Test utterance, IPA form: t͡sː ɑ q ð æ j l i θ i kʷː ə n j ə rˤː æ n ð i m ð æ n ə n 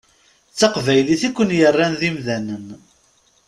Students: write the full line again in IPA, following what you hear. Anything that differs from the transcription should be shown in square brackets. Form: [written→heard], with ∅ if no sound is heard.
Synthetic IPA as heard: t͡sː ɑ q [ð→v] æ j l i θ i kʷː ə n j ə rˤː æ n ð i m ð æ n ə n